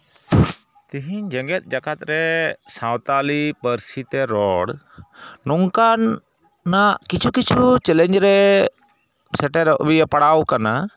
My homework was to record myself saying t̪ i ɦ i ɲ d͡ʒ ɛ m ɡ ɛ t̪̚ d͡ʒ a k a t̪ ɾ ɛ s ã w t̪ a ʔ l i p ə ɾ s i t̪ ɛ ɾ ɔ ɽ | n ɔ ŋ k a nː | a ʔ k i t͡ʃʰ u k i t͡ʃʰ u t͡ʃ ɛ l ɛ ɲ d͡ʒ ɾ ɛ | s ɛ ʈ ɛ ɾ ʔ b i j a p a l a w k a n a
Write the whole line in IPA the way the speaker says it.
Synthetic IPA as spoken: t̪ i ɦ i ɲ d͡ʒ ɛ ŋ ɡ ɛ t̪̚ d͡ʒ a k a t̪ ɾ ɛ s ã w t̪ a l i p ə ɾ s i t̪ ɛ ɾ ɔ ɽ | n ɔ ŋ k a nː | a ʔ k i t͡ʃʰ u k i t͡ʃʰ u t͡ʃ ɛ l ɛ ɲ d͡ʒ ɾ ɛ | s ɛ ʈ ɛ ɾ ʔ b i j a p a ɽ a w k a n a